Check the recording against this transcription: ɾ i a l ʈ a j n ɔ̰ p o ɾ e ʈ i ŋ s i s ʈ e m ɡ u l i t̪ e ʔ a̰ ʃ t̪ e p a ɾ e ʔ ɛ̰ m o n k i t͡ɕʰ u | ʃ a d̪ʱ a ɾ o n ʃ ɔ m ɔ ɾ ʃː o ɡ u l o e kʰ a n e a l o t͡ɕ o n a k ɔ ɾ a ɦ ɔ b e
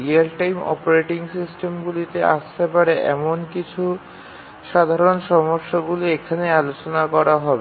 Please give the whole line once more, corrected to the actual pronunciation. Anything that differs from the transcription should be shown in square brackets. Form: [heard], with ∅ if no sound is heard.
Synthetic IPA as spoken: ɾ i a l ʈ a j [m] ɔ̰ p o ɾ e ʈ i ŋ s i s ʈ e m ɡ u l i t̪ e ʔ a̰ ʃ t̪ e p a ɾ e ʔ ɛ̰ m o n k i t͡ɕʰ u | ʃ a d̪ʱ a ɾ o n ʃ ɔ m [o] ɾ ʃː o ɡ u l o e kʰ a n e a l o t͡ɕ o n a k ɔ ɾ a ɦ ɔ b e

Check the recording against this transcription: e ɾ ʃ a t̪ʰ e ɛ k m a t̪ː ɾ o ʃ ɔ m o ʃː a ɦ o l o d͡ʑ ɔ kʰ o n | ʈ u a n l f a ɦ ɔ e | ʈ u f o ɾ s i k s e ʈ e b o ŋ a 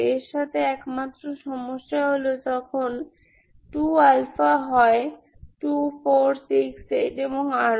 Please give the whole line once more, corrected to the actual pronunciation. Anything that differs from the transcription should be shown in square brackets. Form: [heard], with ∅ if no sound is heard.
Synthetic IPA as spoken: e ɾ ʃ a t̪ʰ e ɛ k m a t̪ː ɾ o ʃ ɔ m o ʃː a ɦ o l o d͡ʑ ɔ kʰ o n | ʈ u a [∅] l f a ɦ ɔ e | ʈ u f o ɾ s i k s e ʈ e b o ŋ a

